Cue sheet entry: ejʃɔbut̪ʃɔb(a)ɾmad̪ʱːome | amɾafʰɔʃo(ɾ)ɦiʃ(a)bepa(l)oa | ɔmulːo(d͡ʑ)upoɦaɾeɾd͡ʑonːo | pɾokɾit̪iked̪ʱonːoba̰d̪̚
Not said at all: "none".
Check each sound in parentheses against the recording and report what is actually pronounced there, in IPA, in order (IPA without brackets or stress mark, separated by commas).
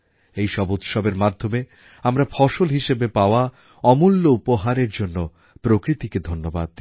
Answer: e, l, e, none, none